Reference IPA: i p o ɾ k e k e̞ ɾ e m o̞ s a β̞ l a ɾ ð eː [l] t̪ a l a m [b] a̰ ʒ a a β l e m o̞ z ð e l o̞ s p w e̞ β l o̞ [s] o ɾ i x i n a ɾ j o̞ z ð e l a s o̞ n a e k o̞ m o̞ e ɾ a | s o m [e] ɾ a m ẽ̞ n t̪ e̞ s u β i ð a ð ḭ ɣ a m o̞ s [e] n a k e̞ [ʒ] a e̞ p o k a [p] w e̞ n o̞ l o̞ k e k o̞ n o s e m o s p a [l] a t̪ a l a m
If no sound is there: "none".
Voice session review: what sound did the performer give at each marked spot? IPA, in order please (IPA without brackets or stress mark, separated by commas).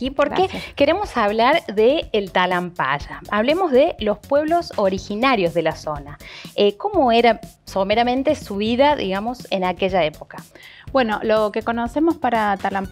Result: l, p, s, e, e, ʒ, b, ɾ